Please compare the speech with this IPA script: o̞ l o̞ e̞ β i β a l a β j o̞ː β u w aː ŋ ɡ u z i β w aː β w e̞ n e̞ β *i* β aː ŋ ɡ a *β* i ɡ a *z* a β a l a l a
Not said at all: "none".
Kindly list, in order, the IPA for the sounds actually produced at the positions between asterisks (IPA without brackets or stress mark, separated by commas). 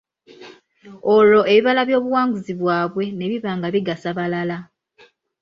i, β, s